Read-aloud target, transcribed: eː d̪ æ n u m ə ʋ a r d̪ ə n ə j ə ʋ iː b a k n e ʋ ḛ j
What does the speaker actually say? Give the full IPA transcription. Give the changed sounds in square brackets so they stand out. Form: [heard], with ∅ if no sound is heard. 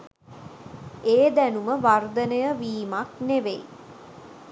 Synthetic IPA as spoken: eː d̪ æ n u m ə ʋ a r d̪ ə n ə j ə ʋ iː [m] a k n e ʋ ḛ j